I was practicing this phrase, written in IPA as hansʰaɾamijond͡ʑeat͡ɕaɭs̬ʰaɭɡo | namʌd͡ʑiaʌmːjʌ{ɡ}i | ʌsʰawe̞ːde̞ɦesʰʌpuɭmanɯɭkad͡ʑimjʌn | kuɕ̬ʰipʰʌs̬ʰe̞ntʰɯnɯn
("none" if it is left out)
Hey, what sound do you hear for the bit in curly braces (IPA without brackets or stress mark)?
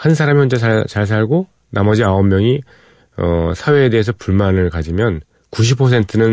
ŋ